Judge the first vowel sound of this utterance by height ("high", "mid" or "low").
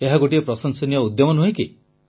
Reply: mid